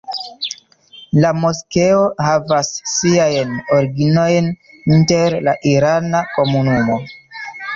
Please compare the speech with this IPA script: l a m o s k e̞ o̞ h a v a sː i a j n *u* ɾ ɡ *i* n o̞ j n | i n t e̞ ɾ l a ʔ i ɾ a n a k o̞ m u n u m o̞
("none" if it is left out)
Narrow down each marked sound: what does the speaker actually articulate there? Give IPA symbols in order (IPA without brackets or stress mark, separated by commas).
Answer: o, i